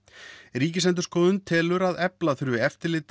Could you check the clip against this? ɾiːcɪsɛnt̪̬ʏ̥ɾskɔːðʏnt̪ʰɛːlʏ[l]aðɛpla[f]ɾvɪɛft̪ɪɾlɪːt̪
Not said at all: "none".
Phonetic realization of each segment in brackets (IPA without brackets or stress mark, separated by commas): ɾ, θ